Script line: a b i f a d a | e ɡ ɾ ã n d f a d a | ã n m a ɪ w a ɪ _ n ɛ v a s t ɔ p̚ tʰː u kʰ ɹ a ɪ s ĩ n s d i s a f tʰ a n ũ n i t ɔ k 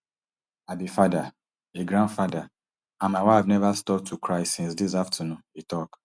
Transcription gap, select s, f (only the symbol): f